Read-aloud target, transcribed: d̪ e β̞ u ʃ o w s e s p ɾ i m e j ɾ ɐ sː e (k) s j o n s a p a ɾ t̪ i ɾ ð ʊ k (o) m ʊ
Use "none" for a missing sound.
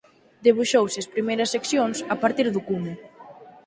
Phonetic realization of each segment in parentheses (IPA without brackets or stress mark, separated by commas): k, u